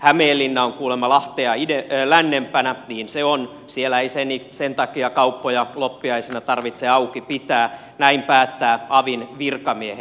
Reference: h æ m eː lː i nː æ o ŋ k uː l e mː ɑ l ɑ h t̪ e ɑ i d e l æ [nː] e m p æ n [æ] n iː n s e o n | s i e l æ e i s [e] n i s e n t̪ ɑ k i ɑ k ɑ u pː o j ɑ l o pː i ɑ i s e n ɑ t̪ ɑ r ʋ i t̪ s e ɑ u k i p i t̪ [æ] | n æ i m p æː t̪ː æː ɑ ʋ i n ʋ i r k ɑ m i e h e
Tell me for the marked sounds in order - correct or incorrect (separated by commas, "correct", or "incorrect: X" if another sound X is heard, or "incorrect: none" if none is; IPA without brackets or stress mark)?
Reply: correct, correct, correct, incorrect: æː